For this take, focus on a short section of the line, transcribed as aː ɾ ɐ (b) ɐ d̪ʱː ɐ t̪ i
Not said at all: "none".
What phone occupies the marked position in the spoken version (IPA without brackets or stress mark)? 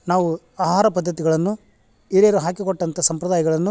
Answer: p